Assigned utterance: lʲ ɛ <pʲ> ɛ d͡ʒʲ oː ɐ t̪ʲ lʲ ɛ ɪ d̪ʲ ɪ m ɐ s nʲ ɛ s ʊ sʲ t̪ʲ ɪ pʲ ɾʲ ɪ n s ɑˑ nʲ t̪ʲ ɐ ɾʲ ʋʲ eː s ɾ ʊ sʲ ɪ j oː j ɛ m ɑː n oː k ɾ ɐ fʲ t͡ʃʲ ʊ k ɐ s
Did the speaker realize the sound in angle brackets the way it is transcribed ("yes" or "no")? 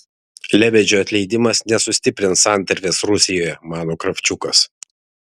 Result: no